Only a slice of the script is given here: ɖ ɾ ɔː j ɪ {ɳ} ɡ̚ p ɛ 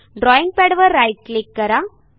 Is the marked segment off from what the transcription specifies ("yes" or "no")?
yes